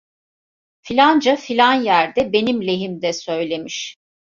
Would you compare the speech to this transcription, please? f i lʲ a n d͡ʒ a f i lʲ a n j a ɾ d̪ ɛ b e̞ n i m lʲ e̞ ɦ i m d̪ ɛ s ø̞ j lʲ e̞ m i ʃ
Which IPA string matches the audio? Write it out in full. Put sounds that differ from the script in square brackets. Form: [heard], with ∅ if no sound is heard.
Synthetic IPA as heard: f i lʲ a n d͡ʒ a f i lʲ a n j [æ] ɾ d̪ ɛ b e̞ n i m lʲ e̞ ɦ i m d̪ ɛ s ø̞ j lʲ e̞ m i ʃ